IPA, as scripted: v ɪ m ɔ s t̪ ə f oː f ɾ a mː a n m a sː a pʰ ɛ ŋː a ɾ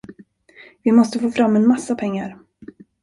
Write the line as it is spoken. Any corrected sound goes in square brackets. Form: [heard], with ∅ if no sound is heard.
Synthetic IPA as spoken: v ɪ m ɔ s t̪ ə f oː f ɾ a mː [ɛ] n m a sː a pʰ ɛ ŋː a ɾ